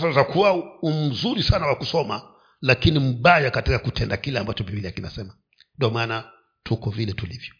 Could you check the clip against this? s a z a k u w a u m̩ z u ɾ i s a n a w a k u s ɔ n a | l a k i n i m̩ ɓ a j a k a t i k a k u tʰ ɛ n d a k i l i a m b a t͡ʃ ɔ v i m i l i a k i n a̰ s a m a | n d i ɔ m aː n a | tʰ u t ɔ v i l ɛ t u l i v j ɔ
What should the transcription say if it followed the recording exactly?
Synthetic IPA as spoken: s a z a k u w a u m̩ z u ɾ i s a n a w a k u s ɔ m a | l a k i n i m̩ ɓ a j a k a t i k a k u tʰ ɛ n d a k i l ɛ a m b a t͡ʃ ɔ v i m i l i a k i n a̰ s ɛ m a | n d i ɔ m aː n a | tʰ u k ɔ v i l ɛ t u l i v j ɔ